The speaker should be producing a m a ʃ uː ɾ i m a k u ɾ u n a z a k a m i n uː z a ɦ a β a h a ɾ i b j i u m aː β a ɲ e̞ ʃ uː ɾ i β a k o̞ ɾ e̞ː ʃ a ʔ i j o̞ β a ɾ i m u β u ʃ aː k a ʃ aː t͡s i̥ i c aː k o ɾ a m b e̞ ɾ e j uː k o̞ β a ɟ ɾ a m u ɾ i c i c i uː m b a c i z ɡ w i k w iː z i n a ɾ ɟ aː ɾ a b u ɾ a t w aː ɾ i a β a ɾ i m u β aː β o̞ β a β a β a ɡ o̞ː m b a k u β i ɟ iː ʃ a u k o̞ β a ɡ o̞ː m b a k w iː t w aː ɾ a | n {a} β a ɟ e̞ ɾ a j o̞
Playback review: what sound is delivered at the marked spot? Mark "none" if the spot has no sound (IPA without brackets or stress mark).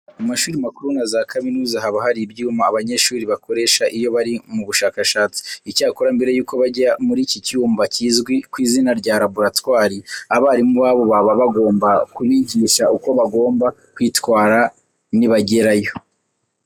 i